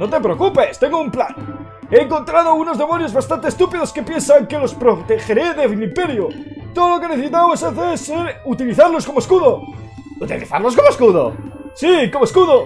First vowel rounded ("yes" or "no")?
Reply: yes